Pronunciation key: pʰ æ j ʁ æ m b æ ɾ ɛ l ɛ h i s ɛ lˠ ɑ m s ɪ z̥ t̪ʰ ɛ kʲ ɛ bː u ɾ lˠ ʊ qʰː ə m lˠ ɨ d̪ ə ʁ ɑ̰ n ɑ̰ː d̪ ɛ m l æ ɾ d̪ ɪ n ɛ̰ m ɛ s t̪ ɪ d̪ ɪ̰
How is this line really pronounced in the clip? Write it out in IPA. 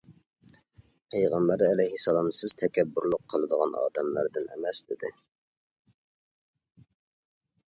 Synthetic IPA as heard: pʰ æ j ʁ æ m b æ ɾ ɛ l ɛ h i s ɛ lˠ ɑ m s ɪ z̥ t̪ʰ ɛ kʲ ɛ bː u ɾ lˠ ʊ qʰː ə lˠ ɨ d̪ ə ʁ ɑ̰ n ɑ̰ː d̪ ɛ m l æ ɾ d̪ ɪ n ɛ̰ m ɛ s d̪ ɪ d̪ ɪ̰